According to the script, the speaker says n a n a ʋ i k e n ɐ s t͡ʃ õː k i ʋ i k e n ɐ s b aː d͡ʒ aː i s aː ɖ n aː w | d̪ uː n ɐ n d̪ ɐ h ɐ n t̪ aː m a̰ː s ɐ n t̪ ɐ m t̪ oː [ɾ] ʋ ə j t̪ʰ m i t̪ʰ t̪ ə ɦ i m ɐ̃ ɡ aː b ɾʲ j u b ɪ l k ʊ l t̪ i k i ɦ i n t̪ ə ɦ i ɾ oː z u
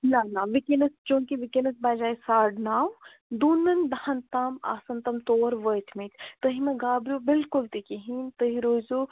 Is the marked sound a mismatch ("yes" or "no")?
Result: no